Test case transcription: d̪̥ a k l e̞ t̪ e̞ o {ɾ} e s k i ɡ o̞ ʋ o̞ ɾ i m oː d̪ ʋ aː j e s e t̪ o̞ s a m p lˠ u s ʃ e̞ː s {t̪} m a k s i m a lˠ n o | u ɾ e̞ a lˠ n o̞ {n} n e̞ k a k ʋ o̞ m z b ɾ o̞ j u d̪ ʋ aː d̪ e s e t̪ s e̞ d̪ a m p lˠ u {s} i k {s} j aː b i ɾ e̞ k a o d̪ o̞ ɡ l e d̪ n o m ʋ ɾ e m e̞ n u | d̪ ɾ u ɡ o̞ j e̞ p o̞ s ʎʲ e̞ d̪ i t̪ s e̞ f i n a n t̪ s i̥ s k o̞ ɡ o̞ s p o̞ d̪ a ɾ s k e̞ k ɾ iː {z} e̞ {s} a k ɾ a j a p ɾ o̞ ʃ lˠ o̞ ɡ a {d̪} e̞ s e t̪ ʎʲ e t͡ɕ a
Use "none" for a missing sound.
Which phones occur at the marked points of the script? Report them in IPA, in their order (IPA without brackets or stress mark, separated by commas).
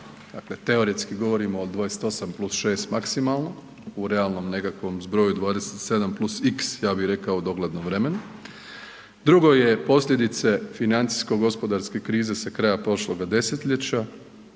ɾ, t̪, m, s, s, z, s, d̪